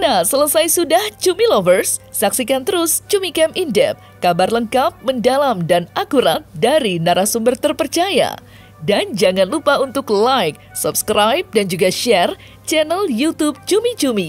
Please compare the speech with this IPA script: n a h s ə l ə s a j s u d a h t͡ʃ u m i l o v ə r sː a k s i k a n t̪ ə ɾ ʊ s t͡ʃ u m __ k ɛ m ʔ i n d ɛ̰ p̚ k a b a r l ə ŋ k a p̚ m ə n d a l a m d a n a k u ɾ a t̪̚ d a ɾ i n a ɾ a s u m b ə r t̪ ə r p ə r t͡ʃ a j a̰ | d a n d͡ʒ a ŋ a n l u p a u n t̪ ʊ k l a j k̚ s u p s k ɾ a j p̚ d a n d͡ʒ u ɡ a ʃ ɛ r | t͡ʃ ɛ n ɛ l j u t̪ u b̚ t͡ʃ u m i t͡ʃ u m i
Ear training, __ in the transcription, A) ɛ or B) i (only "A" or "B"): B